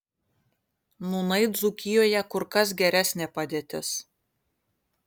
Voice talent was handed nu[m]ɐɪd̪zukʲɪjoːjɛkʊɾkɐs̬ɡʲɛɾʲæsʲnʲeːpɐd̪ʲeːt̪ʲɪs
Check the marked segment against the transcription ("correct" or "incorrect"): incorrect